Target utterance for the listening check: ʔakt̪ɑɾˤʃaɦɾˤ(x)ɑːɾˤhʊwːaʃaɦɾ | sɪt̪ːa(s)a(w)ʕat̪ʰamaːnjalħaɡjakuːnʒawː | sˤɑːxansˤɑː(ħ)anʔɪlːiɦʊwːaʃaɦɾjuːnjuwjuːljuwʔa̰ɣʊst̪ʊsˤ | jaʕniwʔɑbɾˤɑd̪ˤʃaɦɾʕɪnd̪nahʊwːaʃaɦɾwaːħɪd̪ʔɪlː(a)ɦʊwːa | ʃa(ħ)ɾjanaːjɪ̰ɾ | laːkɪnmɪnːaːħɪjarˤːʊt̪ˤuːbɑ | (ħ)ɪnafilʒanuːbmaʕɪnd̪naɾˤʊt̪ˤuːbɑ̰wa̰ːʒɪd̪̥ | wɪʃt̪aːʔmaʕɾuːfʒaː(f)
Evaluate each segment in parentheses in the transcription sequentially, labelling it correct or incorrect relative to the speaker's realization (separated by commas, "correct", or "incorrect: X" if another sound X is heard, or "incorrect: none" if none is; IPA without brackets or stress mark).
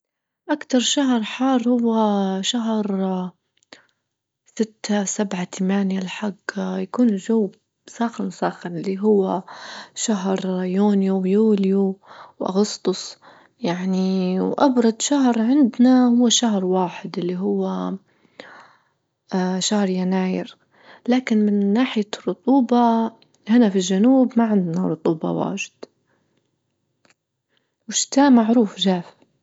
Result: incorrect: ħ, correct, incorrect: b, incorrect: x, incorrect: i, incorrect: h, incorrect: h, correct